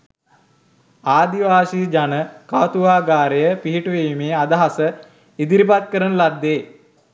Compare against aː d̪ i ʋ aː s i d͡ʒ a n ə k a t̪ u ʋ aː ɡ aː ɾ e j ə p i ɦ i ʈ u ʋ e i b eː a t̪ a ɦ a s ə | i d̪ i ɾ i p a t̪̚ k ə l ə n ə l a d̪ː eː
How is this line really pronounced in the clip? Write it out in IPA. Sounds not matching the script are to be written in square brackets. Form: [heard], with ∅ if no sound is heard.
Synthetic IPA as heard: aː d̪ i ʋ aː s i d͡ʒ a n ə k a t̪ u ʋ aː ɡ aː ɾ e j ə p i ɦ i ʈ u ʋ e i [m] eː a [d̪] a ɦ a s ə | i d̪ i ɾ i p a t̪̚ k ə [ɾ] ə n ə l a d̪ː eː